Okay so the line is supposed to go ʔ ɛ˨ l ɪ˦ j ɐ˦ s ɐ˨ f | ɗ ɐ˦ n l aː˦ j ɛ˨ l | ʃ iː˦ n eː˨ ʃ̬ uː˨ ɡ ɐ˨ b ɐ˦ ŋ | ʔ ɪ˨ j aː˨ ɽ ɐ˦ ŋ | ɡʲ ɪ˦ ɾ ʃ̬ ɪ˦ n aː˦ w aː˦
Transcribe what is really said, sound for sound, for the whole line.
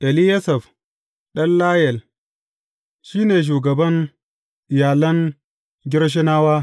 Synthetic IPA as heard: ʔ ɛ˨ l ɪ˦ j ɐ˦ s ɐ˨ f | ɗ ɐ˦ n l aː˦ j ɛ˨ l | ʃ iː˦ n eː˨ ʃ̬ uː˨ ɡ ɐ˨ b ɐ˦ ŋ | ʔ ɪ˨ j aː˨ l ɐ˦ ŋ | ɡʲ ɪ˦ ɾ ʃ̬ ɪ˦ n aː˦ w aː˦